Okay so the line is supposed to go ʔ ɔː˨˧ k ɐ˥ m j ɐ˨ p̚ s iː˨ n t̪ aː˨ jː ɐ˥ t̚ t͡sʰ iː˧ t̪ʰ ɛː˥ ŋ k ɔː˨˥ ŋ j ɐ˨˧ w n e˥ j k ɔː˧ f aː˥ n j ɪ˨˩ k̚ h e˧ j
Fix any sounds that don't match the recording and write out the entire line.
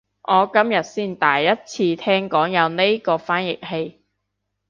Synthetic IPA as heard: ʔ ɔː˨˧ k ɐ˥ m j ɐ˨ t̚ s iː˥˩ n t̪ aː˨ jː ɐ˥ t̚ t͡sʰ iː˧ t̪ʰ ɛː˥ ŋ k ɔː˨˥ ŋ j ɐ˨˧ w n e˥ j k ɔː˧ f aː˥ n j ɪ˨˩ k̚ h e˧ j